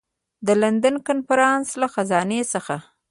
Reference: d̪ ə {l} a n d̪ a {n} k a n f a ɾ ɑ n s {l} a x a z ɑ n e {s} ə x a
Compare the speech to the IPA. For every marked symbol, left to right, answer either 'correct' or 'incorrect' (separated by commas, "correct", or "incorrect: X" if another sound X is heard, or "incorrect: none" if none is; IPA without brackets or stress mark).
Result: correct, correct, correct, correct